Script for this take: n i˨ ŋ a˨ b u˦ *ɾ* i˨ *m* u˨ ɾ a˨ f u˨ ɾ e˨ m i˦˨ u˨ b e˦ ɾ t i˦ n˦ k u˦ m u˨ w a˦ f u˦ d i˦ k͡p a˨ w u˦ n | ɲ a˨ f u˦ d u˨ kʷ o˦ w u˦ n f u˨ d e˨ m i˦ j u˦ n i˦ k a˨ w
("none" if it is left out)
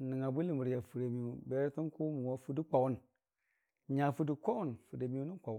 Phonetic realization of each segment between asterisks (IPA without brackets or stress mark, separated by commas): l, m